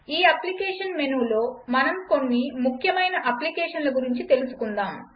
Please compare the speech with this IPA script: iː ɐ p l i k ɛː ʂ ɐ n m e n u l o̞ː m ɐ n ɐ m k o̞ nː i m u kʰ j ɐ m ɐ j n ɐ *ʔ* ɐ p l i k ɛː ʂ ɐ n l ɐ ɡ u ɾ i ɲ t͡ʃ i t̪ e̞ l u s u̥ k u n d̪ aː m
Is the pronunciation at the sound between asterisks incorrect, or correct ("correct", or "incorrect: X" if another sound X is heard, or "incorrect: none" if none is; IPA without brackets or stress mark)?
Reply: correct